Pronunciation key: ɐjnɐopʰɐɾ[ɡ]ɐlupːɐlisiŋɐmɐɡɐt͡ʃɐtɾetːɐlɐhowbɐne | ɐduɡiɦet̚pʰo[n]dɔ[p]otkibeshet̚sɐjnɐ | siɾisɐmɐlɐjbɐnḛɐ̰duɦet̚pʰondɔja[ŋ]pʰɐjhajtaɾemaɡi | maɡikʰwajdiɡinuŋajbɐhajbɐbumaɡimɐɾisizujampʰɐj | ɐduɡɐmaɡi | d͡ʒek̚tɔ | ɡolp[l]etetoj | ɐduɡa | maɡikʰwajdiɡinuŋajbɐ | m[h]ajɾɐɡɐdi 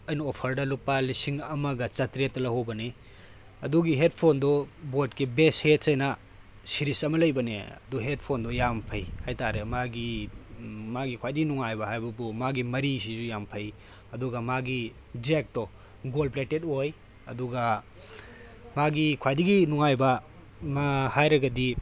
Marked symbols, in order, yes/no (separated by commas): no, yes, no, no, yes, yes